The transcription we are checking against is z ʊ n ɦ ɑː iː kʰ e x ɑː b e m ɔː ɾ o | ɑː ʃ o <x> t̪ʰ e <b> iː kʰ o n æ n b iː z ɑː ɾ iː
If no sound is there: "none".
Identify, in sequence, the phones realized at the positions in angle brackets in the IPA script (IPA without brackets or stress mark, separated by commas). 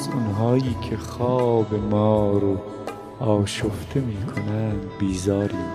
f, m